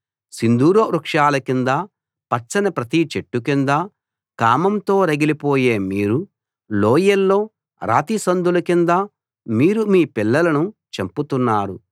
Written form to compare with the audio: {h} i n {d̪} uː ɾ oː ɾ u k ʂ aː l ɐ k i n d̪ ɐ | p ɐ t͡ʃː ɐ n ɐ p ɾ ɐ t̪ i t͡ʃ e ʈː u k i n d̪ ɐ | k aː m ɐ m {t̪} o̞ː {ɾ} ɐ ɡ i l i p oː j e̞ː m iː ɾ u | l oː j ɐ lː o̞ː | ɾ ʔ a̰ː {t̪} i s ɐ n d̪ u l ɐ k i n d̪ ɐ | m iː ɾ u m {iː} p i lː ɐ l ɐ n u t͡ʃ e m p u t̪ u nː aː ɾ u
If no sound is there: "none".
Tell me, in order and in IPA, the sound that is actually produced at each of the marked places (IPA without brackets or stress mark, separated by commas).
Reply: s, d̪, t̪, ɾ, t̪, iː